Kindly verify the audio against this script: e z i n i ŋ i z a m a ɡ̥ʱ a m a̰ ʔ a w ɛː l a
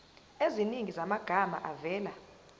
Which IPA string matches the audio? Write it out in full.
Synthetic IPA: e z i n i ŋ i z a m a ɡ̥ʱ a m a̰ ʔ a v ɛː l a

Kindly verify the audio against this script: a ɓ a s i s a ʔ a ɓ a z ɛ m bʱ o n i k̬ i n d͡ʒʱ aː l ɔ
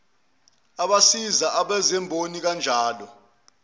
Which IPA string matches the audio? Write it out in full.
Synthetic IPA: a ɓ a s i z a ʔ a ɓ ɛ z ɛ m bʱ o n i k̬ a n d͡ʒʱ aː l ɔ

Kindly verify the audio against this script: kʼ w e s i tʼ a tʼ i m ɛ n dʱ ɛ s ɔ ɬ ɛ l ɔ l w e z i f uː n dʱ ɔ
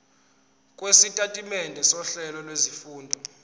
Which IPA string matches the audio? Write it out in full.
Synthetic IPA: kʼ w e s i tʼ a tʼ i m ɛ n dʱ ɛ s ɔ ɬ ɛ l ɔ l w e z i f uː n dʱ ɔ

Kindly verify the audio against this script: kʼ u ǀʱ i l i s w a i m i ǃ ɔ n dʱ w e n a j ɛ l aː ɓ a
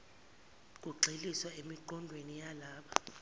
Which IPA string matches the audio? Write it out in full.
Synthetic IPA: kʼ u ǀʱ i l i s w a e m i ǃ ɔ n dʱ w e n i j a l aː ɓ a

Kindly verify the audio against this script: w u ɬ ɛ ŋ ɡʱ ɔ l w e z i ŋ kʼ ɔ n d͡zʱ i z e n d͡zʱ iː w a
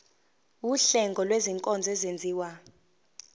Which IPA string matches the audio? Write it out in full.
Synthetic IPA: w u ɬ ɛ ŋ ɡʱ ɔ l w e z i ŋ kʼ ɔ n d͡zʱ ɛ z e n d͡zʱ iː w a

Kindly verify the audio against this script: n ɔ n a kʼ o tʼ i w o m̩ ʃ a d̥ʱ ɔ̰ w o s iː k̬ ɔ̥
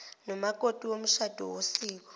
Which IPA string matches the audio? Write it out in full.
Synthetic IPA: n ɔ m a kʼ o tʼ i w o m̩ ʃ a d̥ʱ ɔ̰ w o s iː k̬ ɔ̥

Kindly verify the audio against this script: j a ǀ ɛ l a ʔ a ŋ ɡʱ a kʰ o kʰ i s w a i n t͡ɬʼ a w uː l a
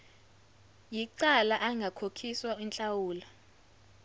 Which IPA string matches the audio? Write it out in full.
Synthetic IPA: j i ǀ a l a ʔ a ŋ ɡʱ a kʰ o kʰ i s w a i n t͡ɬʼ a w uː l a

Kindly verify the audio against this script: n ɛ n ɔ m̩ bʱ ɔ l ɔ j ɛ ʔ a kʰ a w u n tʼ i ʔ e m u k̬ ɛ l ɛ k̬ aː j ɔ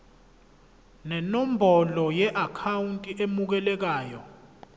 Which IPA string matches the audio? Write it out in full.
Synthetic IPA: n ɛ n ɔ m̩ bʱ ɔ l ɔ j ɛ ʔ a kʰ a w u n tʼ i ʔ e m u k̬ ɛ l ɛ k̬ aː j ɔ

